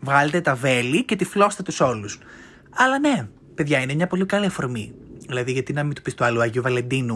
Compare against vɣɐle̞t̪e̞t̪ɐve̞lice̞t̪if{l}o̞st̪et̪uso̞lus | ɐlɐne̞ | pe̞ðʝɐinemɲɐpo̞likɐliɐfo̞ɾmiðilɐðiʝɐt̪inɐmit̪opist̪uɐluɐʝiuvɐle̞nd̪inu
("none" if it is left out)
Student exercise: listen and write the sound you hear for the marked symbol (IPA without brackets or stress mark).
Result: l